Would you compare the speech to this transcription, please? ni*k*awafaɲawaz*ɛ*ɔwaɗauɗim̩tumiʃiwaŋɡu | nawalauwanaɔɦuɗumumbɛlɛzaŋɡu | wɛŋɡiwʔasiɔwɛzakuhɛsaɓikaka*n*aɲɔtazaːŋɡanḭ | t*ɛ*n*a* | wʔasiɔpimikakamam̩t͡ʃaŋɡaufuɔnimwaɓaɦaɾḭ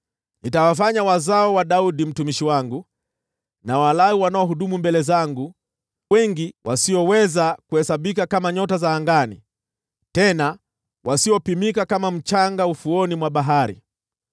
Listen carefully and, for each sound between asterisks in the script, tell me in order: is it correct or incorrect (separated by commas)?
incorrect, incorrect, incorrect, correct, correct